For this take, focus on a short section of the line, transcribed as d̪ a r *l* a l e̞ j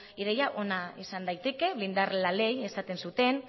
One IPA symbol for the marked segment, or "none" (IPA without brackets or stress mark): l